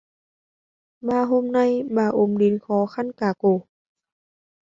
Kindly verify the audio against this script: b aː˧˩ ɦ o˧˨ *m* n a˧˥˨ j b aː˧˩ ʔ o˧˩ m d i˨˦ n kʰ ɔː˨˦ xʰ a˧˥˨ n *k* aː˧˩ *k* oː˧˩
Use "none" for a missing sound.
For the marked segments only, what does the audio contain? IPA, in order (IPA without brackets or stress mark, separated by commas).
m, k, k